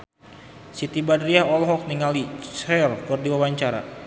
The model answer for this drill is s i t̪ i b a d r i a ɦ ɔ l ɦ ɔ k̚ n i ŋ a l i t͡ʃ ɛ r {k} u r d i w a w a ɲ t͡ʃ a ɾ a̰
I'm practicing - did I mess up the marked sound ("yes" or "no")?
no